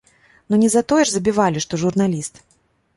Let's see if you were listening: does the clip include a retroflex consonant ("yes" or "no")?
yes